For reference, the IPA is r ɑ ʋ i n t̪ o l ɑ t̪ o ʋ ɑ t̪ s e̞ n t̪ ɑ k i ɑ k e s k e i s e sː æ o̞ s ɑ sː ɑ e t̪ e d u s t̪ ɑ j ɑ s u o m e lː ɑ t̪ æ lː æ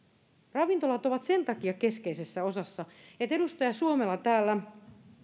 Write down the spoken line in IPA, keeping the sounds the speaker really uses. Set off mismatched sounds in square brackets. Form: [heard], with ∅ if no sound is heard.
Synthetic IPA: r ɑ ʋ i n t̪ o l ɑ t̪ o ʋ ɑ t̪ s e̞ n t̪ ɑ k i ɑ k e s k e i s e sː æ o̞ s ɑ sː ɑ e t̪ e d u s t̪ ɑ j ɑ s u o m e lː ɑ t̪ [æː] lː æ